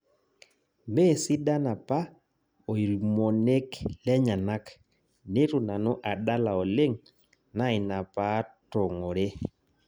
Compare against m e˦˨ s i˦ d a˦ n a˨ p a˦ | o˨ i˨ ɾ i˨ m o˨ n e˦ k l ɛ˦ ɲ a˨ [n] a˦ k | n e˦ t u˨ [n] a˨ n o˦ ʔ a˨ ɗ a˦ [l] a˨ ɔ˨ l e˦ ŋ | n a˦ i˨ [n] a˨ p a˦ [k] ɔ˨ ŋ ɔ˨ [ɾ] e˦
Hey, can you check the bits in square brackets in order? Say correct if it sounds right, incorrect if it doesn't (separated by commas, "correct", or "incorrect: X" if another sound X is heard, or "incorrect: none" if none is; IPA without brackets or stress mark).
correct, correct, correct, correct, incorrect: t, correct